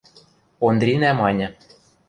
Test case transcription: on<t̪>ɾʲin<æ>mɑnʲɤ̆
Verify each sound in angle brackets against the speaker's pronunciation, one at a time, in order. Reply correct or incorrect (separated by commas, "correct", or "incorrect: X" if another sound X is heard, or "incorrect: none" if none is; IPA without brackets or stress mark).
incorrect: d̪, correct